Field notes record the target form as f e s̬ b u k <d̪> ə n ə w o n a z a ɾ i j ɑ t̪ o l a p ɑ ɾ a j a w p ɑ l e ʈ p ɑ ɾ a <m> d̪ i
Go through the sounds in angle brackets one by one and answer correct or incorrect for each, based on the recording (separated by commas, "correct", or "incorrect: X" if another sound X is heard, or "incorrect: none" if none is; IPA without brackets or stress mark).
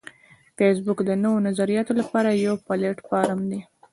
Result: correct, correct